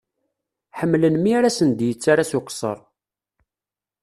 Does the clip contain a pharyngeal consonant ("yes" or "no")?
yes